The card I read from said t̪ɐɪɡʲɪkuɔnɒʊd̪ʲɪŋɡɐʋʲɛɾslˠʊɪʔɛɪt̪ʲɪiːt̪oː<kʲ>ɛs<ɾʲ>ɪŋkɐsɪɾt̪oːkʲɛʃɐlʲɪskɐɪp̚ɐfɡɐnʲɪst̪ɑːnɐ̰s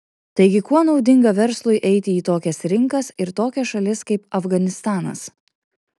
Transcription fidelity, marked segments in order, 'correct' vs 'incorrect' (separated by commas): correct, correct